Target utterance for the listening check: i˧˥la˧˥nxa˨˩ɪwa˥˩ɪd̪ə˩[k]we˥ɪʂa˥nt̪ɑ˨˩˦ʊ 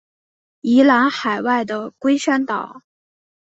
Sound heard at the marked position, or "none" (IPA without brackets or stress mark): k